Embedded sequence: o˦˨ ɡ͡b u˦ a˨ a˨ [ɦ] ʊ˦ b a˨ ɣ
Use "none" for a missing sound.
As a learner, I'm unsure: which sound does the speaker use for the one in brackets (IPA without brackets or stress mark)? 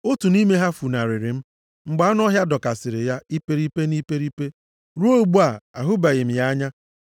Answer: ɦ